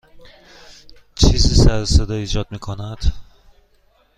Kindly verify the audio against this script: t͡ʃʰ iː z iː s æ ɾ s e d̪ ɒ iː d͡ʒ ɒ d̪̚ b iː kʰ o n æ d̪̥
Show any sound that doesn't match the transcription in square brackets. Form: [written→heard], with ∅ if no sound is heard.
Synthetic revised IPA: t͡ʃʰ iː z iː s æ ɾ s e d̪ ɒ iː d͡ʒ ɒ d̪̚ [b→m] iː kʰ o n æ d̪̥